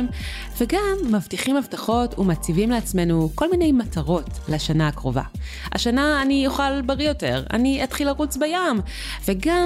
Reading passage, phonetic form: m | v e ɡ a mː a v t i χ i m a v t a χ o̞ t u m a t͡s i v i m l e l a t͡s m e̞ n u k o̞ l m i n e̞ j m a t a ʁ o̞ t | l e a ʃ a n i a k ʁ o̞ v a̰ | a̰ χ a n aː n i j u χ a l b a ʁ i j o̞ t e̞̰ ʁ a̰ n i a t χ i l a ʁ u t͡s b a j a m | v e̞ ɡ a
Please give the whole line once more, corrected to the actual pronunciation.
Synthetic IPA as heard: m | v e ɡ a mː a v t i χ i m a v t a χ o̞ t u m a t͡s i v i m l e a t͡s m e̞ n u k o̞ l m i n e̞ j m a t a ʁ o̞ t | l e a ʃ a n a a k ʁ o̞ v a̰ | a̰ ʃ a n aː n i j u χ a l b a ʁ i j o̞ t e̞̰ ʁ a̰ n i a t χ i l a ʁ u t͡s b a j a m | v e̞ ɡ a